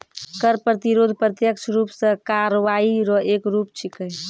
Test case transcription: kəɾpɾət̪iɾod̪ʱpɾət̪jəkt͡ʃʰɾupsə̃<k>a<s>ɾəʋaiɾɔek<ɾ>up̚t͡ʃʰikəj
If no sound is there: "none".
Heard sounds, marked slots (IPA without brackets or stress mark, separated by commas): k, none, ɾ